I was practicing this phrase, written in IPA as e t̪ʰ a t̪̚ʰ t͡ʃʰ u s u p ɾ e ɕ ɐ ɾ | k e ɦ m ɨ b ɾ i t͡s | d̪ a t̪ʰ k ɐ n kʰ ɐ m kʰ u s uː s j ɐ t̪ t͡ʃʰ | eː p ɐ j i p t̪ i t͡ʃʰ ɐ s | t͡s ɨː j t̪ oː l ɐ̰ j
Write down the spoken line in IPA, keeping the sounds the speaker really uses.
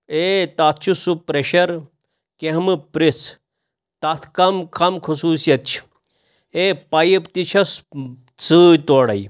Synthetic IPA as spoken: e t̪ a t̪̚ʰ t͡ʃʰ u s u p ɾ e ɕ ɐ ɾ | k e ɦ m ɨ p ɾ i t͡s | t̪ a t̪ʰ k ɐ m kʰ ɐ m kʰ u s uː s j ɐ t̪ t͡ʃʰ | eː p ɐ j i p t̪ i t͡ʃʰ ɐ s | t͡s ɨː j t̪ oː ɽ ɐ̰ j